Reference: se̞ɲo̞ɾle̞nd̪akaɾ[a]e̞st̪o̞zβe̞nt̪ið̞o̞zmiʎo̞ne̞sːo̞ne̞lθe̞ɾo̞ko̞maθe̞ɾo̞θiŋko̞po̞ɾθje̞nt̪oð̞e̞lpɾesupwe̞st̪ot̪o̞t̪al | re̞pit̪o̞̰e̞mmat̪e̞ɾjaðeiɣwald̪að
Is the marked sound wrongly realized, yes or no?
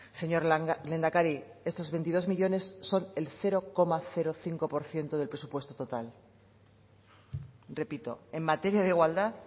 yes